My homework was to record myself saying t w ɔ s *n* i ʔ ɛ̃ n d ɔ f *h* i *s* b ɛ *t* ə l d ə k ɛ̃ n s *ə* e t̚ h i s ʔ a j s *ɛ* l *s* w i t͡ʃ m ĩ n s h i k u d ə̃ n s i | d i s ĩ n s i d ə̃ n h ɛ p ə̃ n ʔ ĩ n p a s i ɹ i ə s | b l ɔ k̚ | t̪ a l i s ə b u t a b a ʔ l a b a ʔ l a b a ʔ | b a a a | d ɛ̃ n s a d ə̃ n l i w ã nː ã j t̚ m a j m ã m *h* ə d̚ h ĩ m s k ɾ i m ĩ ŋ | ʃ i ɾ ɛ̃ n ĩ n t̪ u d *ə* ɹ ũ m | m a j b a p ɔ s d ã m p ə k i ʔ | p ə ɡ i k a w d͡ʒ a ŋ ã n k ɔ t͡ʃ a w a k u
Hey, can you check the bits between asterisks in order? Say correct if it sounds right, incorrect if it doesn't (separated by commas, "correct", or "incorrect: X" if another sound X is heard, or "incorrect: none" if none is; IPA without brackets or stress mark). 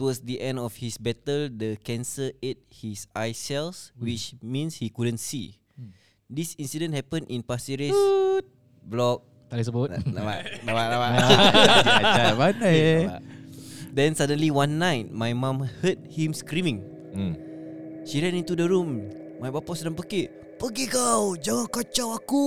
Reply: incorrect: d, correct, correct, correct, correct, correct, correct, correct, correct